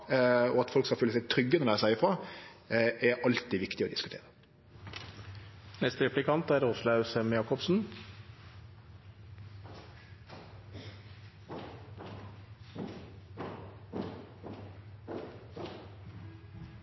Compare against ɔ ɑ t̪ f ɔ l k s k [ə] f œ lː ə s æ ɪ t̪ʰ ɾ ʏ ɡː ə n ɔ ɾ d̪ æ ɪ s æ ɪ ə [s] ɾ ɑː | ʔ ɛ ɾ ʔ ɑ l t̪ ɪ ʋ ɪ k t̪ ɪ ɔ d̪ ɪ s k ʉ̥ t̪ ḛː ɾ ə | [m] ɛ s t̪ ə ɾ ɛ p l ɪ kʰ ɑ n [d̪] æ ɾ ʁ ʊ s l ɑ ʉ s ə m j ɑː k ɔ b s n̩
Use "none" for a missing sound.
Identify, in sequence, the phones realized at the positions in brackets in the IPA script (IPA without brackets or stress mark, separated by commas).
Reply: ɑ, f, n, t̪